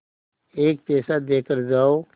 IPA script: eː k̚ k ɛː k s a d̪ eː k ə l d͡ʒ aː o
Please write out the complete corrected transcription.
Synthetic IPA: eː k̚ p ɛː s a d̪ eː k ə ɾ d͡ʒ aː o

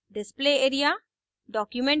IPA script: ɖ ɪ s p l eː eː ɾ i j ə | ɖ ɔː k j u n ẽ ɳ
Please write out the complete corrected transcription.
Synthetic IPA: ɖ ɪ s p l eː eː ɾ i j a | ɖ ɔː k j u m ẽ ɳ

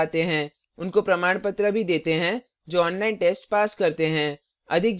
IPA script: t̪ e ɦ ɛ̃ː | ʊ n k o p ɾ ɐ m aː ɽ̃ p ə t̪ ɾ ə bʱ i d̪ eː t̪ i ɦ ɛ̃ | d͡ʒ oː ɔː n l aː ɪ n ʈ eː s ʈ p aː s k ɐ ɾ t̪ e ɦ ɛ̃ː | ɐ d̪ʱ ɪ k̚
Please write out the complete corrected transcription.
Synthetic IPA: t̪ e ɦ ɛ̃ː | ʊ n k o p ɾ ɐ m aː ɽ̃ p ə t̪ ɾ ə bʱ i d̪ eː t̪ e ɦ ɛ̃ | d͡ʒ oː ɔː n l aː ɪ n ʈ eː s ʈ p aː s k ɐ ɾ t̪ e ɦ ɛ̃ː | ɐ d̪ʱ ɪ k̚

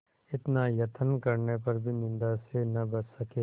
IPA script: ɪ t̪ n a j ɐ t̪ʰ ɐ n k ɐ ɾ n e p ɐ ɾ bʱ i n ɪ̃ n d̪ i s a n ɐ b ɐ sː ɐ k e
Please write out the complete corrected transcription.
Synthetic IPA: ɪ t̪ n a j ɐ t̪ʰ ə n k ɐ ɾ n e p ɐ ɾ bʱ i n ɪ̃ n d̪ a s e n ɐ b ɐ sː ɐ k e

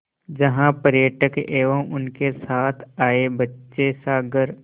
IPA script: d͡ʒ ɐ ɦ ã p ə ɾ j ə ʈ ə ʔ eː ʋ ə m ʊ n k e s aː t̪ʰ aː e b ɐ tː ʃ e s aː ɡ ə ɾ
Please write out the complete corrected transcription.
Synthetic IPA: d͡ʒ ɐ ɦ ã p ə ɾ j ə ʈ ə k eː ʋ ə m ʊ n k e s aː t̪ʰ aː e b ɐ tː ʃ e s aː ɡ ə ɾ

